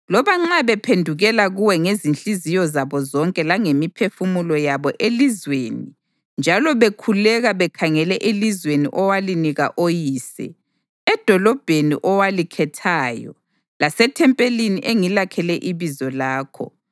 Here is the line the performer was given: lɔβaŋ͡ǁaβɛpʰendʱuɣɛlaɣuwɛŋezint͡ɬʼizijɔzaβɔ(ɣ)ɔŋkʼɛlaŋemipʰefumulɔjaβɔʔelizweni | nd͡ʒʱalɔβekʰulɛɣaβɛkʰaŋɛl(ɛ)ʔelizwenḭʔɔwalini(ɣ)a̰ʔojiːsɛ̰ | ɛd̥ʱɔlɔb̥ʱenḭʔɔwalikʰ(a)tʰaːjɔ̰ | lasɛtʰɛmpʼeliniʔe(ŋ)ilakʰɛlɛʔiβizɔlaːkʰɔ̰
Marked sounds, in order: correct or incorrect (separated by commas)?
incorrect, correct, correct, incorrect, correct